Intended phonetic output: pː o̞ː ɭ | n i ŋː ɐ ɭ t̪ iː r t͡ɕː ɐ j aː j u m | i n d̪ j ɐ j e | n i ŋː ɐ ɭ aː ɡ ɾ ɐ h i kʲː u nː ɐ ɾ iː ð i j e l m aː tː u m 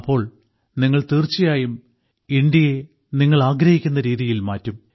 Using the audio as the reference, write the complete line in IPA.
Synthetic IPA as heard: pː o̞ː ɭ | n i ŋː ɐ ɭ t̪ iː r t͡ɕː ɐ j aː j u m | i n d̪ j ɐ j e | n i ŋː ɐ ɭ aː ɡ ɾ ɐ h i kʲː u nː ɐ ɾ iː ð i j i l m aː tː u m